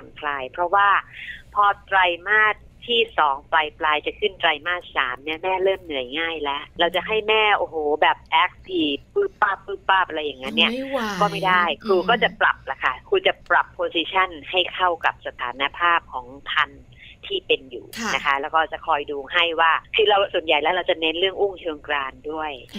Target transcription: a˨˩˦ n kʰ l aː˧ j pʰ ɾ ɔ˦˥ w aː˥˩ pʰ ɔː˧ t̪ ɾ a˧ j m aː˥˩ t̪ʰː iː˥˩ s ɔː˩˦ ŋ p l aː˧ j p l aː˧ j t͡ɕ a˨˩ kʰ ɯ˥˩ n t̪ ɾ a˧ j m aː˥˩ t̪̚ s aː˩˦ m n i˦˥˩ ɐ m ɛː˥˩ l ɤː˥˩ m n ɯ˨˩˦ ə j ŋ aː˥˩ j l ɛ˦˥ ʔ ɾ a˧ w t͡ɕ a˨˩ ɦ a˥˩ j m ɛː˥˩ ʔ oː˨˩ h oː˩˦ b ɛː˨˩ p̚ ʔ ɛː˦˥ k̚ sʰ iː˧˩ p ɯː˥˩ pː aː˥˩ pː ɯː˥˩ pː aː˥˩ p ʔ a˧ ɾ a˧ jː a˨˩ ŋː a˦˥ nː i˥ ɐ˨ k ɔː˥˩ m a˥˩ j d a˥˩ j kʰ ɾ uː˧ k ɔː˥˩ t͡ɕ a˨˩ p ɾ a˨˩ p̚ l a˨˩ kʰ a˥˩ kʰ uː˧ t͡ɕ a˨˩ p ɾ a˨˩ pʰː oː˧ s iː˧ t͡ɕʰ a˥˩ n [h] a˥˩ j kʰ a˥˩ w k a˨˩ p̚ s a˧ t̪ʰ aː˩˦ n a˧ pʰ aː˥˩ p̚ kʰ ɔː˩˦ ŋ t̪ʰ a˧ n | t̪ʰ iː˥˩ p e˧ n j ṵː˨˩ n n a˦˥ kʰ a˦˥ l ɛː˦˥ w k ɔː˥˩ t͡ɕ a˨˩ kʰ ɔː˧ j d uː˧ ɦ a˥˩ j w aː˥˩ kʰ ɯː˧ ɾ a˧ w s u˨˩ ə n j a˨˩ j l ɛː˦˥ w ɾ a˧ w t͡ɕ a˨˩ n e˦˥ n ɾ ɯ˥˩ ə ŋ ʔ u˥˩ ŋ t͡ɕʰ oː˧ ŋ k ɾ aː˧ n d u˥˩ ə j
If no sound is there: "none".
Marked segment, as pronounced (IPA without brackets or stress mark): h